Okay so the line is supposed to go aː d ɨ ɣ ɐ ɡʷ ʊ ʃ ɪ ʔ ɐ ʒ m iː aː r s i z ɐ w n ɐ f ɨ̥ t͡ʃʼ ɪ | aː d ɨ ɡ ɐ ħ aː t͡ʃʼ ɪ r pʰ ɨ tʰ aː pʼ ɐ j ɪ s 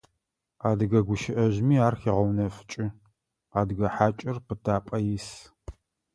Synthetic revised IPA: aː d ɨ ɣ ɐ ɡʷ ʊ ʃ ɪ ʔ ɐ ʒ m iː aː r x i ʁ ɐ w n ɐ f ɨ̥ t͡ʃʼ ɪ | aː d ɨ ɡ ɐ ħ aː t͡ʃʼ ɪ r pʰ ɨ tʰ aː pʼ ɐ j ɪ s